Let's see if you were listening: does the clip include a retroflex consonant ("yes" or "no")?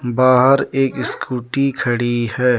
yes